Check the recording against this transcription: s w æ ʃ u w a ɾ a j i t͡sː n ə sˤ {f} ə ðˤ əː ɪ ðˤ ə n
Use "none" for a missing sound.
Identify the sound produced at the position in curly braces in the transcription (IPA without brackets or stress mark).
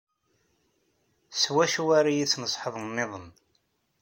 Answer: ħ